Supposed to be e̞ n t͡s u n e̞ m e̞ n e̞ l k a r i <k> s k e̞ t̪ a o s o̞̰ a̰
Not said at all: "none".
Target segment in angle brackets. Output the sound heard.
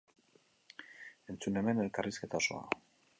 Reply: none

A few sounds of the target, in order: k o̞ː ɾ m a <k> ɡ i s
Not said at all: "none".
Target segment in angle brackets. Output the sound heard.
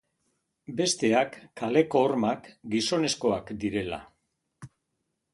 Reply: k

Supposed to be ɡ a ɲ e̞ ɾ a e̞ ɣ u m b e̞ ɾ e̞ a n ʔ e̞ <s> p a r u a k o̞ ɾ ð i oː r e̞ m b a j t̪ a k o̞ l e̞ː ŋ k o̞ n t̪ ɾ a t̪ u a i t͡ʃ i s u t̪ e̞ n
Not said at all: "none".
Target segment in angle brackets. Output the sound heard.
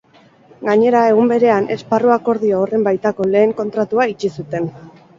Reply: s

